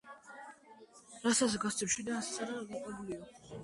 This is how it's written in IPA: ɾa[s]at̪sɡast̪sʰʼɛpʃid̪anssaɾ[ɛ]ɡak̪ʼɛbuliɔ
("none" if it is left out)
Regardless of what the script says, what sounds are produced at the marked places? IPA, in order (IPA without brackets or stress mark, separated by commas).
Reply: s, a